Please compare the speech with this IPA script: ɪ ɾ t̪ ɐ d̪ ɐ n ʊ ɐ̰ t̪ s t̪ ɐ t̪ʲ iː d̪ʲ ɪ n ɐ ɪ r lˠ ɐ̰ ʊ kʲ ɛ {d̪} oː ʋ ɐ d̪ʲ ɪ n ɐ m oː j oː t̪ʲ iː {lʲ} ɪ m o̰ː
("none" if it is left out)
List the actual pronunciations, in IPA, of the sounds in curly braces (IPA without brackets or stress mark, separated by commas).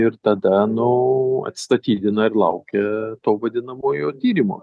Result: t̪, ɾʲ